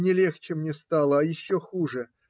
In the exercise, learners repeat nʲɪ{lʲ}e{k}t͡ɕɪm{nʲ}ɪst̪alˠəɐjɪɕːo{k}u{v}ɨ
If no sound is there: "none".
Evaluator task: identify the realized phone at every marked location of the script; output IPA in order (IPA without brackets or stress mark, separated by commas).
lʲ, x, nʲ, x, ʐ